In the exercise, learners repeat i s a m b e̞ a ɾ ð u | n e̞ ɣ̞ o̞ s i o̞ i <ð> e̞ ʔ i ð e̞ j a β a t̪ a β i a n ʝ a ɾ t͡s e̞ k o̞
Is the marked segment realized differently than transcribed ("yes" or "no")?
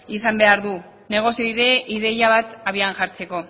no